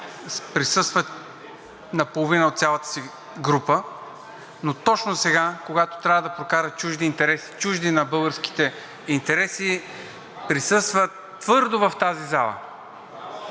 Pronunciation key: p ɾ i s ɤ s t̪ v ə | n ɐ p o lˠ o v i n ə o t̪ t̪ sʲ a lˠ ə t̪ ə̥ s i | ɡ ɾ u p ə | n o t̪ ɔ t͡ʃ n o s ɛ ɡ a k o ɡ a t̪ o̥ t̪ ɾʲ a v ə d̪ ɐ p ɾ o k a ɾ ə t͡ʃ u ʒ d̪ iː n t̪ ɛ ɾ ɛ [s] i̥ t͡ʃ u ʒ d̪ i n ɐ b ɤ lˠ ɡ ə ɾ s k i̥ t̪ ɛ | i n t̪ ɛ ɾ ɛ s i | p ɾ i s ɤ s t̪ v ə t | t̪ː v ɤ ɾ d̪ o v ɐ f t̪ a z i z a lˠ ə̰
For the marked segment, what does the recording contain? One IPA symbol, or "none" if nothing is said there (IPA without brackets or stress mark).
s